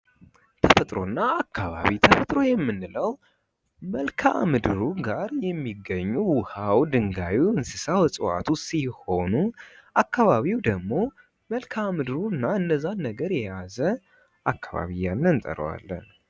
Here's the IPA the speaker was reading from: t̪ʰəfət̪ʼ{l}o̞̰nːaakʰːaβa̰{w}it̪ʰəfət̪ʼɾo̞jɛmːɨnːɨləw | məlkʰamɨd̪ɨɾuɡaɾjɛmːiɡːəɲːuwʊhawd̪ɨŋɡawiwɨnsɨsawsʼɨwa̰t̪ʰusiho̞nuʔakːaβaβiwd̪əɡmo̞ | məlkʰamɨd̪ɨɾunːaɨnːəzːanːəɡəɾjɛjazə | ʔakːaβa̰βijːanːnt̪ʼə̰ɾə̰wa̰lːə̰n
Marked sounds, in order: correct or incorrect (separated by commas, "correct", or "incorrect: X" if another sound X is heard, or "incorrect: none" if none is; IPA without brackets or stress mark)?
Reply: incorrect: ɾ, incorrect: β